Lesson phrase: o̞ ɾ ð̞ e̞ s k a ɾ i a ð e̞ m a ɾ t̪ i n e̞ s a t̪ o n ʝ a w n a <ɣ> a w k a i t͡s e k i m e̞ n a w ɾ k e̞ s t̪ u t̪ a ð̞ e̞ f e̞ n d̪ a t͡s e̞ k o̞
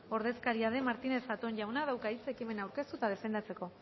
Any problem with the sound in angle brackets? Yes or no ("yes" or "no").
yes